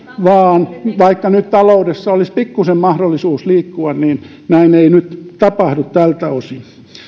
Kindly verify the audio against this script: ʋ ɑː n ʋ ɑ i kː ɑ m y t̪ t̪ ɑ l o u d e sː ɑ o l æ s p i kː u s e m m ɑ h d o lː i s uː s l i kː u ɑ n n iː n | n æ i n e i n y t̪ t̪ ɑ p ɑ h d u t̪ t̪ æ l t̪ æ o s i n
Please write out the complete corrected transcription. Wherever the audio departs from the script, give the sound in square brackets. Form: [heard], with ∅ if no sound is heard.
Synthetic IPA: ʋ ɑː n ʋ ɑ i kː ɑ [n] y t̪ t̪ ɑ l o u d e sː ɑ o l [i] s p i kː u s e m m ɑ h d o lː i s uː s l [iː] kː u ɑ n n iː n | n æ i n e i n y t̪ t̪ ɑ p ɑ h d u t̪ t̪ æ l t̪ æ o s i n